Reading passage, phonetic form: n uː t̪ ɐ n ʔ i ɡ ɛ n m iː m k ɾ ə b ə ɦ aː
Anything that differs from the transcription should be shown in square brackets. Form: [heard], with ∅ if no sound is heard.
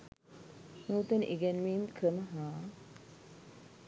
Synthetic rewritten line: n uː t̪ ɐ n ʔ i ɡ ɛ n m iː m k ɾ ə [m] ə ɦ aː